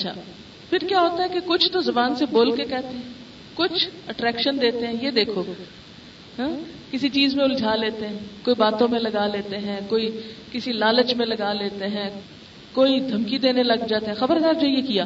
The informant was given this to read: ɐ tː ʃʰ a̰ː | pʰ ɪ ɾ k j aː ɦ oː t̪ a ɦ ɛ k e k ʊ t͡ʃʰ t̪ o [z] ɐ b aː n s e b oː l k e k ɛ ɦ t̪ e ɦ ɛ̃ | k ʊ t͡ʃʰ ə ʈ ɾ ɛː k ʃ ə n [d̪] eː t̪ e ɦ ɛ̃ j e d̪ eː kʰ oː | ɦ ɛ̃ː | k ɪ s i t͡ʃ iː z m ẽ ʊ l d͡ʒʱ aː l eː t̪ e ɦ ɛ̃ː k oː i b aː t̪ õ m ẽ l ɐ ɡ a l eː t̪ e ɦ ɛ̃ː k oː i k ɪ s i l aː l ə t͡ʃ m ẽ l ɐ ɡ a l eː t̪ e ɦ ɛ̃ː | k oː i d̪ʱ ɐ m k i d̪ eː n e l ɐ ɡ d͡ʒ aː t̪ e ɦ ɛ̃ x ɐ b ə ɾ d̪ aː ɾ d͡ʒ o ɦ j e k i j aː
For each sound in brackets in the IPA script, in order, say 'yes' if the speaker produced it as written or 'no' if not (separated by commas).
yes, yes